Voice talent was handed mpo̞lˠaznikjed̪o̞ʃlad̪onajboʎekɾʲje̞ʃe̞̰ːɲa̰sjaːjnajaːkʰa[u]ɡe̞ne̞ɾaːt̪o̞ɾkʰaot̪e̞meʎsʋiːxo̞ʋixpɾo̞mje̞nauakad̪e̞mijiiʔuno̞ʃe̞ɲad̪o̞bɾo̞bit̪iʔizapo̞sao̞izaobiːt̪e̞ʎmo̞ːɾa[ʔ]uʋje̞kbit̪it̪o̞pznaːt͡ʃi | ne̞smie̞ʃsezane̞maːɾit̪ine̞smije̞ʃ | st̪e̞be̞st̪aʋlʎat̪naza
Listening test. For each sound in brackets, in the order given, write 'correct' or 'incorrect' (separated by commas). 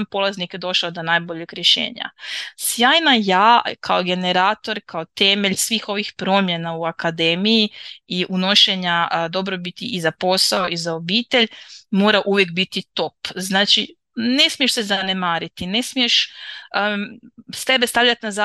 incorrect, correct